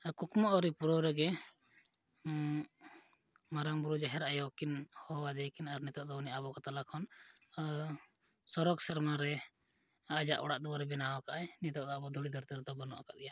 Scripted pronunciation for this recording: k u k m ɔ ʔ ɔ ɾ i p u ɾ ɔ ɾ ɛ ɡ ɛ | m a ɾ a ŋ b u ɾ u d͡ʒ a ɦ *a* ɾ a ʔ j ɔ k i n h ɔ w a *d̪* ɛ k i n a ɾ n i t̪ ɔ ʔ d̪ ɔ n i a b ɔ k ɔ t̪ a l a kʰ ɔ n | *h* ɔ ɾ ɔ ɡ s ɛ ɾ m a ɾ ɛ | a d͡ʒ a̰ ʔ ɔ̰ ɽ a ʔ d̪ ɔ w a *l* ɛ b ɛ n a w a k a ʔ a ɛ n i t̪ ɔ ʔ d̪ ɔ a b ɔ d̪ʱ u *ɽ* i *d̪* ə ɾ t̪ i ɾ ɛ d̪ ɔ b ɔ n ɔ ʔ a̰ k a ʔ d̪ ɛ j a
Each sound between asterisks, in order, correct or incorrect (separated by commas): incorrect, correct, incorrect, incorrect, correct, correct